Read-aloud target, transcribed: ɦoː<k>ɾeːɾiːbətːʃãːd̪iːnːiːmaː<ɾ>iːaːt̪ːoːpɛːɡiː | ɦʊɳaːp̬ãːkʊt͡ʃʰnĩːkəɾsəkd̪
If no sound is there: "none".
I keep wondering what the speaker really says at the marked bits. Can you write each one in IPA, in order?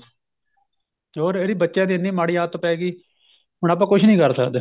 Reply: none, ɽ

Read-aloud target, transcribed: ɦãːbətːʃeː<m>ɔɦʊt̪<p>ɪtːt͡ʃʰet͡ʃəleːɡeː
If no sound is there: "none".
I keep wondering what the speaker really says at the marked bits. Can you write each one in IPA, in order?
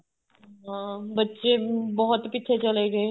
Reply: b, p

